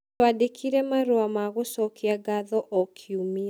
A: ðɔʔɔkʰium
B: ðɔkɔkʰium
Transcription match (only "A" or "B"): A